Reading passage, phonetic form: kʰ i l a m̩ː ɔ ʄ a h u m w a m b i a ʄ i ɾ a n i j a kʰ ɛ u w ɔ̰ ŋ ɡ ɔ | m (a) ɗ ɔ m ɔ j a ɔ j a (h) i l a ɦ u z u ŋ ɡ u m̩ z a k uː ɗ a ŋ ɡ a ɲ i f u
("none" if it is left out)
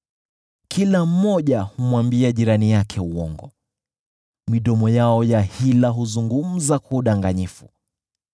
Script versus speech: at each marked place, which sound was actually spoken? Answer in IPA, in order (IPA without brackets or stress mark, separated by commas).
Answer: i, h